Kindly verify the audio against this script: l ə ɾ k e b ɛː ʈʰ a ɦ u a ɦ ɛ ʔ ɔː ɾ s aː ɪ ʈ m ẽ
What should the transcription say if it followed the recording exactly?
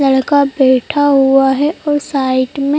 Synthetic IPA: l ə ɽ k a b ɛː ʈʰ a ɦ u a ɦ ɛ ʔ ɔː ɾ s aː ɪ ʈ m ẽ